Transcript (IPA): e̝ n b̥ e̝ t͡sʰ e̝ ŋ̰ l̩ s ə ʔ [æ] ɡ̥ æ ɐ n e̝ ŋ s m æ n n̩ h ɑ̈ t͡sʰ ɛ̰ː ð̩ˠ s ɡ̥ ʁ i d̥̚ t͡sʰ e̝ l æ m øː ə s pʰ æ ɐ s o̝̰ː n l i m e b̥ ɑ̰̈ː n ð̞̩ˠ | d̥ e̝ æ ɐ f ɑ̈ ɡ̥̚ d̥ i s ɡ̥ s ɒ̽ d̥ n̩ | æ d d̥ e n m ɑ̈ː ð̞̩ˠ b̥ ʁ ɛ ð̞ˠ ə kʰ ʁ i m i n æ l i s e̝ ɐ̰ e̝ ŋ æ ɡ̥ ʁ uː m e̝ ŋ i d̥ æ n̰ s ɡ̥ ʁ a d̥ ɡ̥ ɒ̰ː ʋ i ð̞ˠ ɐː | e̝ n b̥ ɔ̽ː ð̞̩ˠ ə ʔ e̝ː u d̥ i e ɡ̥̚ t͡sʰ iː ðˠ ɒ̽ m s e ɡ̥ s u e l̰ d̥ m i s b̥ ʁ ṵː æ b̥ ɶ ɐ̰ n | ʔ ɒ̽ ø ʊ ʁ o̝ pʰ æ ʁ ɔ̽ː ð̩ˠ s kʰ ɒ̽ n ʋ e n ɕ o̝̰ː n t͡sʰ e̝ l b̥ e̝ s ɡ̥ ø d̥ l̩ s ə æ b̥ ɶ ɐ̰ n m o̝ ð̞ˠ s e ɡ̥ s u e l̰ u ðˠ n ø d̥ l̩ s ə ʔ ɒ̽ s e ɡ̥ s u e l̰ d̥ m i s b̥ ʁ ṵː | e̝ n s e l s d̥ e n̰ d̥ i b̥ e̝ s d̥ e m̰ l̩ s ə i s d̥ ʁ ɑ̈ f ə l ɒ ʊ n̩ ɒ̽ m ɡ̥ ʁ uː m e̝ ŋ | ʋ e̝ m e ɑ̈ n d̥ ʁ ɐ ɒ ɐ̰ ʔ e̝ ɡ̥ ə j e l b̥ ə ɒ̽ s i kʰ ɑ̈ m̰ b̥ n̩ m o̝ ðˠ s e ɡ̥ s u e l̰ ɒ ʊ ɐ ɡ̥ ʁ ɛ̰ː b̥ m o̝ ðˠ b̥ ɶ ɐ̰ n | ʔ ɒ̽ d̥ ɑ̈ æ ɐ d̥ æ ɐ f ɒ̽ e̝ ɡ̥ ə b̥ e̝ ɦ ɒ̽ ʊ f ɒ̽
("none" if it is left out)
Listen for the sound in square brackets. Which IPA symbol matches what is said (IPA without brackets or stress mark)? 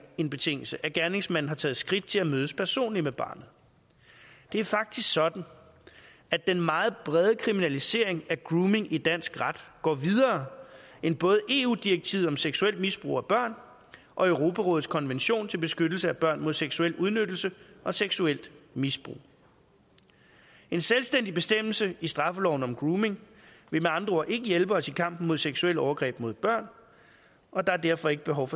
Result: æ